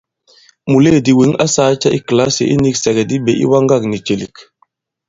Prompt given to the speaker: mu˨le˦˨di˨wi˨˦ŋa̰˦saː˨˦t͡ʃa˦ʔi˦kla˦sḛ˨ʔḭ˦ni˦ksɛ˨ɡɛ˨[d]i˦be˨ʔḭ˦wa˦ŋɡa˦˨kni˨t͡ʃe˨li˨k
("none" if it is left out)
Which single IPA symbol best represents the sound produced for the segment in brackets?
d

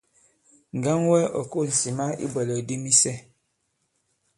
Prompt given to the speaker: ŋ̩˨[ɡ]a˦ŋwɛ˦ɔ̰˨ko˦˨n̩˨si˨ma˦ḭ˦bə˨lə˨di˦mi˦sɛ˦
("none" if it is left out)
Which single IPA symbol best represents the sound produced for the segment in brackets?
ɡ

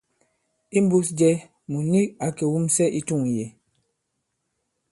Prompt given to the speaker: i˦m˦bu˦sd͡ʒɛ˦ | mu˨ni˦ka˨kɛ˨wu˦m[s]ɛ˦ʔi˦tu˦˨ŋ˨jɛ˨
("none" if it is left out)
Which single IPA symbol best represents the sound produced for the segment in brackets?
s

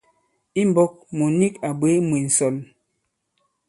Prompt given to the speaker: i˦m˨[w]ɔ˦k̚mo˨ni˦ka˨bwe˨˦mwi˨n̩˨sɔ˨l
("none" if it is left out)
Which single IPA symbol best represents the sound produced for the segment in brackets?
b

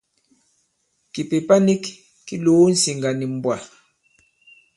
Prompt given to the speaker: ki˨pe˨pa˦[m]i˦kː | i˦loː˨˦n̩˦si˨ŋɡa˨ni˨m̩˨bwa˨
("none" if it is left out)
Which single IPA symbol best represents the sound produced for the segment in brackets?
n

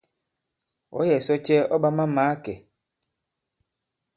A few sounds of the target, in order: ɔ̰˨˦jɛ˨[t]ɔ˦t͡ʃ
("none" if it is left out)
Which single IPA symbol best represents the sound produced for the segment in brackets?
s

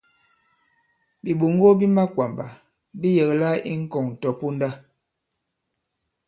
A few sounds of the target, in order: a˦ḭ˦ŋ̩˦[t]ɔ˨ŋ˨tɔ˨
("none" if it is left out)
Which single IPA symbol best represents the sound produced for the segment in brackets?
k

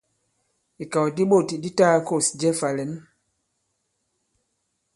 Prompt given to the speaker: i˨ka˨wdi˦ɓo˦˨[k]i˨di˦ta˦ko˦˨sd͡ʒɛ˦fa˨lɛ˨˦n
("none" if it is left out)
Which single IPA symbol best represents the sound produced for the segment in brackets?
t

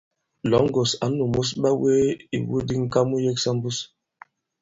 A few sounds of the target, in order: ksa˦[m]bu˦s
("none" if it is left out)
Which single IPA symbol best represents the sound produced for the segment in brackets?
m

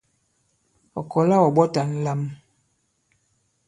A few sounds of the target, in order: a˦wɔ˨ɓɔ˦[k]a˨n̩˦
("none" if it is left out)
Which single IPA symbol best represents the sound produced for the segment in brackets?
t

